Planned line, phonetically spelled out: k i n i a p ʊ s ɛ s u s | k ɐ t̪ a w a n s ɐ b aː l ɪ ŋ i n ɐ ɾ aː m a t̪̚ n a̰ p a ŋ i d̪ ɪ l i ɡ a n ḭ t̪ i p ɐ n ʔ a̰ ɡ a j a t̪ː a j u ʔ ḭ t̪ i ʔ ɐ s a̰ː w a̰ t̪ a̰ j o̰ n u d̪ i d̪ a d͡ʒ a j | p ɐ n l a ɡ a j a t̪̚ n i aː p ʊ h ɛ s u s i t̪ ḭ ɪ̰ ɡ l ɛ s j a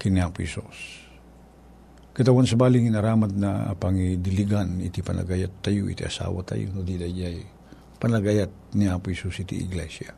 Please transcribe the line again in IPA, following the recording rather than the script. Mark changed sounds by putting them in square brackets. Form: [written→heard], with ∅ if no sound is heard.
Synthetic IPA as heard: k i n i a p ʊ [s→h] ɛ s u s | k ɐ t̪ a w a n s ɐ b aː l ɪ ŋ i n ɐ ɾ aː m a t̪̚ n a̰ p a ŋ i d̪ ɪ l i ɡ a n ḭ t̪ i p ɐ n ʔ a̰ ɡ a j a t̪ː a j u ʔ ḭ t̪ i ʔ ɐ s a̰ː w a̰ t̪ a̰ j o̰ n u d̪ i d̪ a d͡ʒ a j | p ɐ n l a ɡ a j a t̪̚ n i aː p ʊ h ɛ s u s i t̪ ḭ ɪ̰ ɡ l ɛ s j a